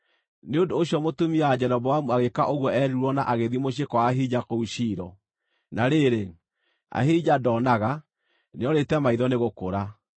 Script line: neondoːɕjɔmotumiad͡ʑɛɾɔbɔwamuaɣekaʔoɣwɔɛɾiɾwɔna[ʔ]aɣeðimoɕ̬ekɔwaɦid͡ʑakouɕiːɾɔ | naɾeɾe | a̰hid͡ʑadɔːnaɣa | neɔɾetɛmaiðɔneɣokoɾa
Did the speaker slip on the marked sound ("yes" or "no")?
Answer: no